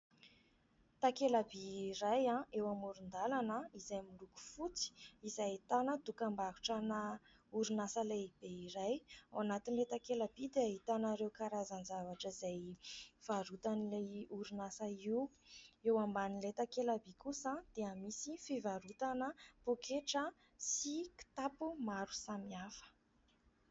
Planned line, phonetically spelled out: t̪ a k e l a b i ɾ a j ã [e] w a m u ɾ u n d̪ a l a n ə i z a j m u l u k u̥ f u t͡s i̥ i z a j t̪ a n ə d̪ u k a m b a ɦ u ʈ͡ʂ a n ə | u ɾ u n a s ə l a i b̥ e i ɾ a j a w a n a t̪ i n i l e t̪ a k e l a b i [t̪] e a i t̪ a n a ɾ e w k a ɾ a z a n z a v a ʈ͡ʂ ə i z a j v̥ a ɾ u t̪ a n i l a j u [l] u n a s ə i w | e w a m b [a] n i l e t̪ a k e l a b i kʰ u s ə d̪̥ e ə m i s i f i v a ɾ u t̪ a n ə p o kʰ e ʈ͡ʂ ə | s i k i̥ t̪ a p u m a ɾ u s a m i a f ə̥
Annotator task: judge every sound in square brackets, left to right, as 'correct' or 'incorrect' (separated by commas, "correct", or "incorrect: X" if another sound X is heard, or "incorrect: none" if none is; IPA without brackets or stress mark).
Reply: correct, incorrect: d̪, incorrect: ɾ, correct